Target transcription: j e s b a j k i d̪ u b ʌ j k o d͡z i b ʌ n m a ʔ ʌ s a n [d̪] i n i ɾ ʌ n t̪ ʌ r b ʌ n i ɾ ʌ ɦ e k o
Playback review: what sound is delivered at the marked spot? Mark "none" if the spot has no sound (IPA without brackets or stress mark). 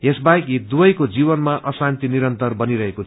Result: t̪